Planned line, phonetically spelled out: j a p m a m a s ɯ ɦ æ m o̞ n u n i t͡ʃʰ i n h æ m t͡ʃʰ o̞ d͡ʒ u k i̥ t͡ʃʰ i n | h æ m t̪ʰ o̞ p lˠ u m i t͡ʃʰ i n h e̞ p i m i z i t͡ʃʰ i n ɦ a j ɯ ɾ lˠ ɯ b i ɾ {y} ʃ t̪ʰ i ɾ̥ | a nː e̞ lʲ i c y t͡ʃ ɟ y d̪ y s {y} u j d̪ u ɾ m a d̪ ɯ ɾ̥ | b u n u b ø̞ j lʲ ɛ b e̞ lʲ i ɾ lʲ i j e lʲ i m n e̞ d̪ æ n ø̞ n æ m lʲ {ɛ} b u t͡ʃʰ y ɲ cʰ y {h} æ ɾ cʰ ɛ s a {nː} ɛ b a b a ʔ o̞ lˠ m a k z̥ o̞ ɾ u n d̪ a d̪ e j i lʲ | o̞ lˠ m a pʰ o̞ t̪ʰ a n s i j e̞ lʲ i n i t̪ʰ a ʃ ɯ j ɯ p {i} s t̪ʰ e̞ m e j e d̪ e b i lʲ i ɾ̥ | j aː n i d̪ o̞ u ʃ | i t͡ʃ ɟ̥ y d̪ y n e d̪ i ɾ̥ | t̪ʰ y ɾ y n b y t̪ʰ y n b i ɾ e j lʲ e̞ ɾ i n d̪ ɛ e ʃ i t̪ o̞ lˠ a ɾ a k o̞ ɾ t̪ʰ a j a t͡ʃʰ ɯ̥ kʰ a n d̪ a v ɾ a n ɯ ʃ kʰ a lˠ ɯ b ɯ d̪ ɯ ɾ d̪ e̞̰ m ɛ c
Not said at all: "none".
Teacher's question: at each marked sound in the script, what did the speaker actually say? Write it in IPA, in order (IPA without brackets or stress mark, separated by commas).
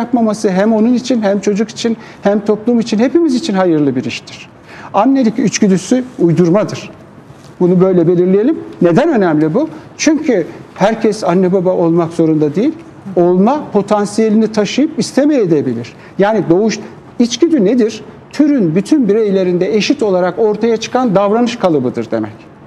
i, y, i, h, nː, i